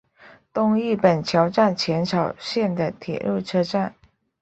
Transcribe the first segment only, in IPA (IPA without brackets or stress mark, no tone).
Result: t̪